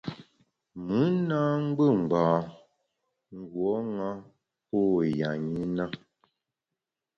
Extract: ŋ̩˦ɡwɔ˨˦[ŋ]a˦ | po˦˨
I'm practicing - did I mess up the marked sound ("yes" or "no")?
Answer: no